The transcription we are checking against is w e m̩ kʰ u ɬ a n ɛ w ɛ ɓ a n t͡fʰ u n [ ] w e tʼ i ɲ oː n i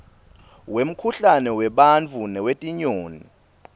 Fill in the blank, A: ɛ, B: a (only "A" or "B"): A